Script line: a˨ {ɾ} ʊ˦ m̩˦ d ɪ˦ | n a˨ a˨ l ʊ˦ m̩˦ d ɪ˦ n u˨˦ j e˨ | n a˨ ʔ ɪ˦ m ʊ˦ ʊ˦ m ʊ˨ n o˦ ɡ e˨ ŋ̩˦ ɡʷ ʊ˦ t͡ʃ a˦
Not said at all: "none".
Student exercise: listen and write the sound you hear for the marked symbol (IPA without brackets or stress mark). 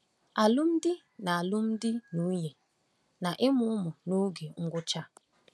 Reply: l